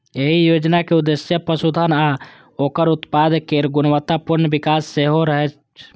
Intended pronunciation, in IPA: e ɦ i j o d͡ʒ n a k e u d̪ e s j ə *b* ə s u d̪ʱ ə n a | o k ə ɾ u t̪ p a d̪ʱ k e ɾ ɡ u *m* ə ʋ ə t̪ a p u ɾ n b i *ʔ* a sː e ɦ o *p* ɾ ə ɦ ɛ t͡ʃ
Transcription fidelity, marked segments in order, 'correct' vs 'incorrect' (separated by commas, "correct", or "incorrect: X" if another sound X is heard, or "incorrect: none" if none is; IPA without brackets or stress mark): incorrect: p, incorrect: n, incorrect: k, incorrect: none